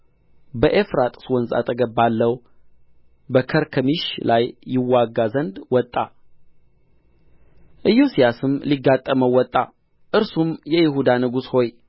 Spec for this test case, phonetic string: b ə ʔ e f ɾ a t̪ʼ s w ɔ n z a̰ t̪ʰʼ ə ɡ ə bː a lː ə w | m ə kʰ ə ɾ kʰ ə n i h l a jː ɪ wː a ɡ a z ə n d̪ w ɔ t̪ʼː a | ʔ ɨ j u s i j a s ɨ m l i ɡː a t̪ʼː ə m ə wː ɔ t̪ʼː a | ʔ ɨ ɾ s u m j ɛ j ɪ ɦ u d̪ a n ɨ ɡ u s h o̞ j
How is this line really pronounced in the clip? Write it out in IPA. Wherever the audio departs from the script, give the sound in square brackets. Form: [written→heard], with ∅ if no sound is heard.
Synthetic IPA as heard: b ə ʔ e f ɾ a t̪ʼ s w ɔ n z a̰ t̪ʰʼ ə ɡ ə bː a lː ə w | [m→b] ə kʰ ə ɾ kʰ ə [n→m] i [h→ʃ] l a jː ɪ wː a ɡ a z ə n d̪ w ɔ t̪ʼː a | ʔ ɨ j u s i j a s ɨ m l i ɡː a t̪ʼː ə m ə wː ɔ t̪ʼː a | ʔ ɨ ɾ s u m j ɛ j ɪ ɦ u d̪ a n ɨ ɡ u s h o̞ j